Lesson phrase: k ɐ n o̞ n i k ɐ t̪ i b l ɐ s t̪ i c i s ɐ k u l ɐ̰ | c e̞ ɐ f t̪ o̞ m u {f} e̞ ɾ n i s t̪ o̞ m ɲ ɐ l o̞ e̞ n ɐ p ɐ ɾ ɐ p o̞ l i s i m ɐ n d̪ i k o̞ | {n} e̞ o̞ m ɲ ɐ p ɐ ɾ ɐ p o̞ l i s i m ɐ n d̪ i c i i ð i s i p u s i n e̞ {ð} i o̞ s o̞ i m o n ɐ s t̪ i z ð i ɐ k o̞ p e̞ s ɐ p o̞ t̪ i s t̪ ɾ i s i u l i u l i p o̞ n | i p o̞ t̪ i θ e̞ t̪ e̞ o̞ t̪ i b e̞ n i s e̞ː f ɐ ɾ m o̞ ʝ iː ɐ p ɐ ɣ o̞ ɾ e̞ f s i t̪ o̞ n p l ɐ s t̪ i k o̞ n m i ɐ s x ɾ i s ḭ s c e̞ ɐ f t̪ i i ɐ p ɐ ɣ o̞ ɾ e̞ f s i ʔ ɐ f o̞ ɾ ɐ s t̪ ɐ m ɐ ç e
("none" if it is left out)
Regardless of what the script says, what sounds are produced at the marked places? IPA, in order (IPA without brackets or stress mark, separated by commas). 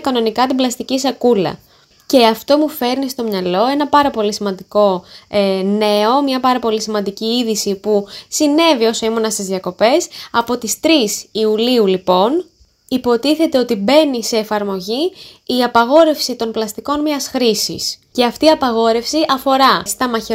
f, n, v